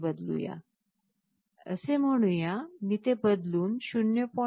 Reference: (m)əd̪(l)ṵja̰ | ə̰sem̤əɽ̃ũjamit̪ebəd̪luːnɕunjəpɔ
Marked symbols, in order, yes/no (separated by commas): no, yes